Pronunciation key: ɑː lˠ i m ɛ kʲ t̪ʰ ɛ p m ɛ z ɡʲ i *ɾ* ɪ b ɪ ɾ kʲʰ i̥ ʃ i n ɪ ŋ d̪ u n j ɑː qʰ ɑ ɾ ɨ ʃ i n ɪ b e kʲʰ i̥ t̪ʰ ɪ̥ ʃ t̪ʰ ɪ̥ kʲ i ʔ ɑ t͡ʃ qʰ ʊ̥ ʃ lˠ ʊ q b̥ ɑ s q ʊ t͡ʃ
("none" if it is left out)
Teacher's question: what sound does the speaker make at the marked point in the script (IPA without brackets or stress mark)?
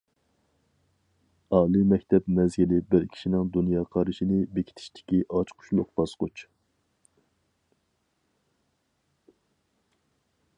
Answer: l